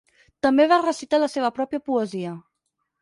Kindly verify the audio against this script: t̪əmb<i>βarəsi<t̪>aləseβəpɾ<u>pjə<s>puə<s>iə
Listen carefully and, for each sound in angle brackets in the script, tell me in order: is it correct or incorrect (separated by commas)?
incorrect, correct, incorrect, incorrect, incorrect